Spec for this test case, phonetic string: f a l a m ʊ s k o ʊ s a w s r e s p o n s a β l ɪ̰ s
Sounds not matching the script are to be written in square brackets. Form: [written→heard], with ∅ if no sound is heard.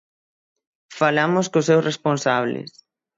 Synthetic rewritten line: f a l a m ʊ s k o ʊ s [a→e] w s r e s p o n s a β l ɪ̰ s